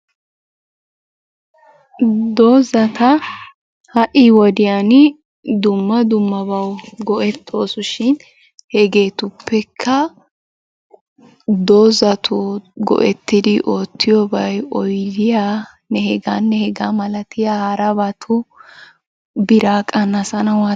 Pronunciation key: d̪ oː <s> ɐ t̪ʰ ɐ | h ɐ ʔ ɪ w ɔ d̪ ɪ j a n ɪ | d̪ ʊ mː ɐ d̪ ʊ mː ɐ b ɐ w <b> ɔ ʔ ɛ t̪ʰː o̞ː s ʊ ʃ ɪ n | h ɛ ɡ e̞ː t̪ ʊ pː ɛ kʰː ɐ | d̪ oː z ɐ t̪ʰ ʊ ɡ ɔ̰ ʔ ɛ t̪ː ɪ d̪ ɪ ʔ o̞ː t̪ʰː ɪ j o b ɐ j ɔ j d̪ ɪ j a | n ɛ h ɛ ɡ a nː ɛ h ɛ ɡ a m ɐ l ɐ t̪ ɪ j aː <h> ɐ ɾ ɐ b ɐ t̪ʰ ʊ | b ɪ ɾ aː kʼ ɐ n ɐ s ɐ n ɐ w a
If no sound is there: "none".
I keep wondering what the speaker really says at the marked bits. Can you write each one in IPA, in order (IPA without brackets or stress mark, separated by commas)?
z, ɡ, h